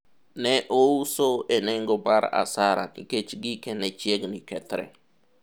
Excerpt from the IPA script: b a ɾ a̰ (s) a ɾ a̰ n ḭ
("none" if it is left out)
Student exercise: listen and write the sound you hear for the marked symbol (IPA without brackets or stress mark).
s